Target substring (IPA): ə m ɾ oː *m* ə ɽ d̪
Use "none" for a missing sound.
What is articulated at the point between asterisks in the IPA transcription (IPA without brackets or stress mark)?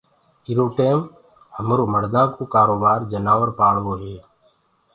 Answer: m